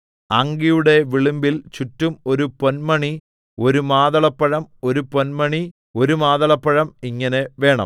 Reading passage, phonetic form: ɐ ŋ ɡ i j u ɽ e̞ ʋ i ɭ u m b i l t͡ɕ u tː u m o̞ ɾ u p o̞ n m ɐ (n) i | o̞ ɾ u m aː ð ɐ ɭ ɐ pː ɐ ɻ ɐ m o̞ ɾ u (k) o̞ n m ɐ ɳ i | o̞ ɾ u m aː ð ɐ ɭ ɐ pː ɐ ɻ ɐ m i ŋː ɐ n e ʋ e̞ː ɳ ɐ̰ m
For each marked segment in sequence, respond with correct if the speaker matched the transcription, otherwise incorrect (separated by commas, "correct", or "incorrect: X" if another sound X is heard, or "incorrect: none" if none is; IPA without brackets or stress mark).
incorrect: ɳ, incorrect: p